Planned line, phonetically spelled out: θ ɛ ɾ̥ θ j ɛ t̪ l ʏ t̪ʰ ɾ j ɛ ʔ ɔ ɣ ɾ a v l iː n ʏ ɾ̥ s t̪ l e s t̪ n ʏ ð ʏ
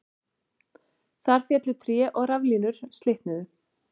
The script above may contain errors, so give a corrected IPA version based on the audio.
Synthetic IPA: θ a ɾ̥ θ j ɛ t̪ l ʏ t̪ʰ ɾ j ɛ ʔ ɔ ɣ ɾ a v l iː n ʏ ɾ̥ s t̪ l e h t̪ n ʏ ð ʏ

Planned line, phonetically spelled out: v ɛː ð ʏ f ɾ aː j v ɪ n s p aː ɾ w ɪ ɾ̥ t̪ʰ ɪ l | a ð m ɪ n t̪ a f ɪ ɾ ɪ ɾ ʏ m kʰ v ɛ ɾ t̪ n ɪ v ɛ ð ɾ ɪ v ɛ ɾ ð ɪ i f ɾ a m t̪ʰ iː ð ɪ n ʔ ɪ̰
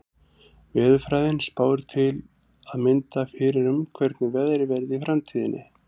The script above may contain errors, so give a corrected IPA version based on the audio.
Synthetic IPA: v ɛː ð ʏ f ɾ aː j ð ɪ n s p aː w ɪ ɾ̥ t̪ʰ ɪ l | a ð m ɪ n t̪ a f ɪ ɾ ɪ ɾ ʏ m kʰ v ɛ ɾ t̪ n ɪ v ɛ ð ɾ ɪ v ɛ ɾ ð ɪ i f ɾ a m t̪ʰ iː ð ɪ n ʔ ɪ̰

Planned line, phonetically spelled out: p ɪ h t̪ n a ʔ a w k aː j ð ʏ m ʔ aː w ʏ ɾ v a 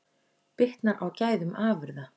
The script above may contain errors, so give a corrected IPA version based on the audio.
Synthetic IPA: p ɪ h t̪ n a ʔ a w c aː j ð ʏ m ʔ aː v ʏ ɾ ð a

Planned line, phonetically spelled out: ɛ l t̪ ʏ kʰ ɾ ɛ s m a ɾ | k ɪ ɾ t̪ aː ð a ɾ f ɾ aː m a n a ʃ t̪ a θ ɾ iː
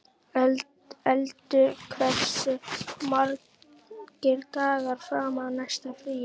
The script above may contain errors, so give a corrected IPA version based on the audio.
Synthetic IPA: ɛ l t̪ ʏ kʰ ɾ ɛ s m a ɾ | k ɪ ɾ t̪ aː ɣ a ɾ f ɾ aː m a n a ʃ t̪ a f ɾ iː

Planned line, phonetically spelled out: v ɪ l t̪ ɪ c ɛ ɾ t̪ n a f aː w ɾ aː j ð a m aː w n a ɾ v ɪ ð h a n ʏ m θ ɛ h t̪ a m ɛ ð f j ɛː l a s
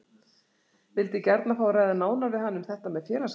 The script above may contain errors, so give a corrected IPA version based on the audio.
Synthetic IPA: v ɪ l t̪ ɪ c ɛ ɾ t̪ n a f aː w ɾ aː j ð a n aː w n a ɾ v ɪ ð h a nː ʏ m θ ɛ h t̪ a m ɛ ð f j ɛː l a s

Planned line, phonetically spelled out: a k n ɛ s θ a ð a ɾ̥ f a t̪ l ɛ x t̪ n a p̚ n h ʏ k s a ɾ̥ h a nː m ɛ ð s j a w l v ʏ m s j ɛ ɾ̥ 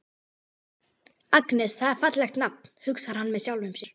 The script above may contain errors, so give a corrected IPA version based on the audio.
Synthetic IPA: a k n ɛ s θ a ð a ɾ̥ f a t̪ l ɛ x t̪ n a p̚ n h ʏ k s a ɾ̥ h a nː m ɛ ð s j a w l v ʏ m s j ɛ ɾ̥

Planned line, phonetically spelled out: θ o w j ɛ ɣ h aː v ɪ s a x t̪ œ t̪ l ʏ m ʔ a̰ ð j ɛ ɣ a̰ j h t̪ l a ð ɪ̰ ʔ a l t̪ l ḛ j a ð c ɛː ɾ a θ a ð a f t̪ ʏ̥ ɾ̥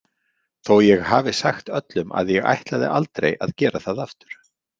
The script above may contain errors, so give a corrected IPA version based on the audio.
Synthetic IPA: θ o w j ɛ ɣ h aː v ɪ s a x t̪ œ t̪ l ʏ m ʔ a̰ ð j ɛ ɣ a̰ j h t̪ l a ð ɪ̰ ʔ a l t̪ ɾ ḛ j a ð c ɛː ɾ a θ a ð a f t̪ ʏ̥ ɾ̥

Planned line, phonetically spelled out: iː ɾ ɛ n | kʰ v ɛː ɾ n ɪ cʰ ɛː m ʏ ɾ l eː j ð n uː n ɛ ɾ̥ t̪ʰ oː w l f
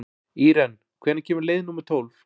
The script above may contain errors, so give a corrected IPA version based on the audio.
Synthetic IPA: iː ɾ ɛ n | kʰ v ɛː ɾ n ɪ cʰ ɛː m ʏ ɾ l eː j ð n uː m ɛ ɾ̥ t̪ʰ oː w l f

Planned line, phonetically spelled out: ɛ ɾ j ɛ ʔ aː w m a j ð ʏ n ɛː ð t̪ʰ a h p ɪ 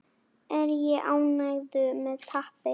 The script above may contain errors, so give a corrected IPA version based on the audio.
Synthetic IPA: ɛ ɾ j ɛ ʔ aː w n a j ð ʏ m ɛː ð t̪ʰ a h p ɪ

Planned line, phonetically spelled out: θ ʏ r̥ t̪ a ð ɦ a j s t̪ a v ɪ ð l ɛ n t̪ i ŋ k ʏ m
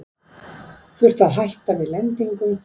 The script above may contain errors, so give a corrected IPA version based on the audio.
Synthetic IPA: θ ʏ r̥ t̪ a ð ɦ a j h t̪ a v ɪ ð l ɛ n t̪ i ŋ k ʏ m

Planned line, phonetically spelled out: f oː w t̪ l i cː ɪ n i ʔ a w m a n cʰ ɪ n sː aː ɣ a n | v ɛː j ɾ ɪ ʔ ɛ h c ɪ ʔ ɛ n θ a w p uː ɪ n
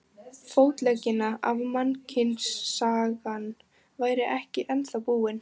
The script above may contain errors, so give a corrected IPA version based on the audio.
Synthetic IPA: f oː w t̪ l ɛ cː ɪ n a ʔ a v m a n cʰ ɪ n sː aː ɣ a n | v aː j ɾ ɪ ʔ ɛ h c ɪ ʔ ɛ n θ a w p uː ɪ n

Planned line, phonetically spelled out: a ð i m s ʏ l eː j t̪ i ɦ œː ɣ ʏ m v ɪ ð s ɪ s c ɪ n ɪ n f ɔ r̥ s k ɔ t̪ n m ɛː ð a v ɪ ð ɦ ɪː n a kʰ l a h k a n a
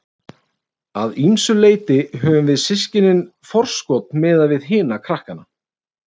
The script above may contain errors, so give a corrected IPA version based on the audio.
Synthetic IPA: a ð i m s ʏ l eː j t̪ ɪ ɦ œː v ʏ m v ɪ ð s ɪ s c ɪ n ɪ n f ɔ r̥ s k ɔ t̪ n m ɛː ð a v ɪ ð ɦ ɪː n a kʰ ɾ a h k a n a

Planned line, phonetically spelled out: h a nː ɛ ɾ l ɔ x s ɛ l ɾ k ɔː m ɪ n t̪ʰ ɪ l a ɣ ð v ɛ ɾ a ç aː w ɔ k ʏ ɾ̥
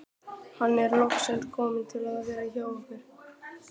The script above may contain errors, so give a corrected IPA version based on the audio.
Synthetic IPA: h a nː ɛ ɾ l ɔ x s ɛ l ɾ kʰ ɔː m ɪ n t̪ʰ ɪ l a ð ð v ɛː ɾ a ç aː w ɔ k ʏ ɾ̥

